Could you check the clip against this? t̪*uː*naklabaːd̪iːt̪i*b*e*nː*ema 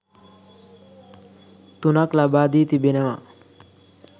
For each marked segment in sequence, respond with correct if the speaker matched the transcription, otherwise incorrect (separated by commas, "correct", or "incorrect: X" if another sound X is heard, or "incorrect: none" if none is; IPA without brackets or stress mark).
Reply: incorrect: u, correct, incorrect: n